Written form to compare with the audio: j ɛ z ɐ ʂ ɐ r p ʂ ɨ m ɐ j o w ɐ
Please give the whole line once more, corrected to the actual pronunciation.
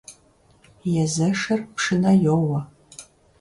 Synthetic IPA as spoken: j ɛ z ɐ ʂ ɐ r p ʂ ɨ n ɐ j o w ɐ